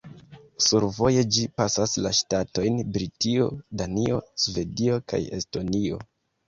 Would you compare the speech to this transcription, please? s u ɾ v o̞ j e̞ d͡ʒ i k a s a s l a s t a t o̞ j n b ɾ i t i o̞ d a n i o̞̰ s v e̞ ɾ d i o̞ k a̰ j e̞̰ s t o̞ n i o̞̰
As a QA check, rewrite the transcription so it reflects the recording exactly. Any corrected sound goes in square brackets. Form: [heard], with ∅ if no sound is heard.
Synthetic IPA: s u ɾ v o̞ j e̞ d͡ʒ i [p] a s a s l a [ʃ] t a t o̞ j n b ɾ i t i o̞ d a n i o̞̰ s v e̞ [∅] d i o̞ k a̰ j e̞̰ s t o̞ n i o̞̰